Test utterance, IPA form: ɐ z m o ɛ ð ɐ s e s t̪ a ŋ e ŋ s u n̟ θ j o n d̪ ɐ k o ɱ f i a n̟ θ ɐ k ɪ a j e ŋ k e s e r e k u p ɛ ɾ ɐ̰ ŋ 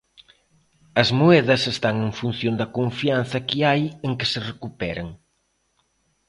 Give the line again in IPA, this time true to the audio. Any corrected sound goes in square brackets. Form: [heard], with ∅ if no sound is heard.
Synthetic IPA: ɐ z m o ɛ ð ɐ s e s t̪ a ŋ e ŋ [f] u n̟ θ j o n d̪ ɐ k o ɱ f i a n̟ θ ɐ k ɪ a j e ŋ k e s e r e k u p ɛ ɾ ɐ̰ ŋ